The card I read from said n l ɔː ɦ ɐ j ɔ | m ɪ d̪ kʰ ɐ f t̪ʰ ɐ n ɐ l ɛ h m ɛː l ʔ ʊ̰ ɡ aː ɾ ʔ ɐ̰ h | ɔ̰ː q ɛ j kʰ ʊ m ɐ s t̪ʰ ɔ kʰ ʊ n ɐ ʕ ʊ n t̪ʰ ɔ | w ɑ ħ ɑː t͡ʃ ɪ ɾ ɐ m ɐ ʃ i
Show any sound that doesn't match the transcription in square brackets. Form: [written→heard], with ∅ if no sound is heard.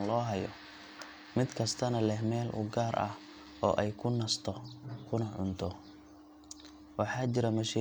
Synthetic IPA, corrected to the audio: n l ɔː ɦ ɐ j ɔ | m ɪ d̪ kʰ ɐ [f→s] t̪ʰ ɐ n ɐ l ɛ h m ɛː l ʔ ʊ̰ ɡ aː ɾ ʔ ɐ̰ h | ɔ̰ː [q→ʔ] ɛ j kʰ ʊ [m→n] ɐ s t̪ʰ ɔ kʰ ʊ n ɐ ʕ ʊ n t̪ʰ ɔ | w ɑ ħ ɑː t͡ʃ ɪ ɾ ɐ m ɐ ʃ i